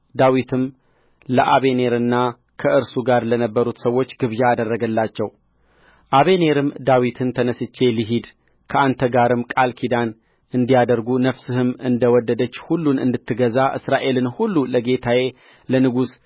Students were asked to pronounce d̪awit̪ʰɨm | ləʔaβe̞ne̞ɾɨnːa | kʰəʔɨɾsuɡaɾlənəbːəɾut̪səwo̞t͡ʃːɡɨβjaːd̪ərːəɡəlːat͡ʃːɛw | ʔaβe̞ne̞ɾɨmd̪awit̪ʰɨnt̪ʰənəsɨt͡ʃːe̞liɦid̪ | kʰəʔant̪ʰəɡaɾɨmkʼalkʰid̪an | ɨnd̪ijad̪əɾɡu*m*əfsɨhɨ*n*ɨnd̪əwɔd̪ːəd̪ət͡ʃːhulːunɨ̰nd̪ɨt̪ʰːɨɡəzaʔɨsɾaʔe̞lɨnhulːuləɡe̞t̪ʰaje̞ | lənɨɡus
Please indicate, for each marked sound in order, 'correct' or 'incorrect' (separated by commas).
incorrect, incorrect